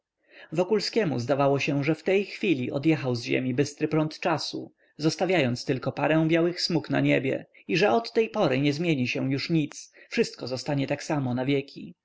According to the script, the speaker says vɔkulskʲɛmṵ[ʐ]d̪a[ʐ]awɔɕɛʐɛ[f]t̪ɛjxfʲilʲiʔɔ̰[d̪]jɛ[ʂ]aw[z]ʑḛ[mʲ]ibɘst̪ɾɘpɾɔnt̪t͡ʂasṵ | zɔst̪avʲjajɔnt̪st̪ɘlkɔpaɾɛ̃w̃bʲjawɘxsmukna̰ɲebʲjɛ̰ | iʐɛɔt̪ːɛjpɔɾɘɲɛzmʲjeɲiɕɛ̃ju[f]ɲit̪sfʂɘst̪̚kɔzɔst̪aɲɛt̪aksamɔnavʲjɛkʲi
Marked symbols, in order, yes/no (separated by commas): no, no, yes, yes, no, yes, yes, no